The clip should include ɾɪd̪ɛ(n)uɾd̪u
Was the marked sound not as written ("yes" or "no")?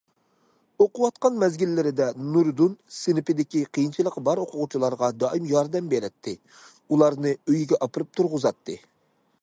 no